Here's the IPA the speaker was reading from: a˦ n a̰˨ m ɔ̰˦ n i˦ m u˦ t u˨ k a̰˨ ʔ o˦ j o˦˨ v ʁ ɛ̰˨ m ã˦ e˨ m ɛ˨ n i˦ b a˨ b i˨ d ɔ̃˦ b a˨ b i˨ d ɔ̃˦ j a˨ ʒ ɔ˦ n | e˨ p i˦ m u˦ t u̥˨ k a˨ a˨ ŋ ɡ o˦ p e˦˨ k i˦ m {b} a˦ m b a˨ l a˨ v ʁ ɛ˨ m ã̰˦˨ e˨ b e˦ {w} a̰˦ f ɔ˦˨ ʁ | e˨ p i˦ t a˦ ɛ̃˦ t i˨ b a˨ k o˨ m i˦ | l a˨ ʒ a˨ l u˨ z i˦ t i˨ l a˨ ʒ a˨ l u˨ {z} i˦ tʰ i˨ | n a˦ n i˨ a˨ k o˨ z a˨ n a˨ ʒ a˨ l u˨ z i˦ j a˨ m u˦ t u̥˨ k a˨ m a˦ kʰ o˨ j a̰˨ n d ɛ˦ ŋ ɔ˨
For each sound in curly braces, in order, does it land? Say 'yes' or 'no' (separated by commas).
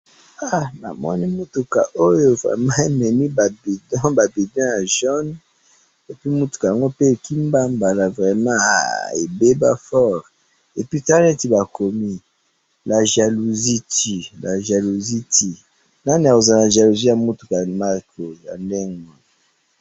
yes, no, yes